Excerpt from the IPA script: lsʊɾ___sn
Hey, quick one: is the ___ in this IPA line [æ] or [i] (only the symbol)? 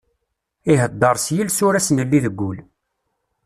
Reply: æ